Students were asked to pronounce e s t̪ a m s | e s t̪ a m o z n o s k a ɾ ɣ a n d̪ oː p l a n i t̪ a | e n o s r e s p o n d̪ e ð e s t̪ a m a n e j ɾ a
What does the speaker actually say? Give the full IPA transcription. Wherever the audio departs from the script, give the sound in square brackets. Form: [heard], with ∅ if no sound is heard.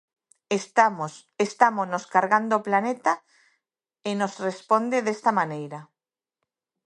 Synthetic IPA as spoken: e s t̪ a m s | e s t̪ a m o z n o s k a ɾ ɣ a n d̪ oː p l a n [e] t̪ a | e n o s r e s p o n d̪ e ð e s t̪ a m a n e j ɾ a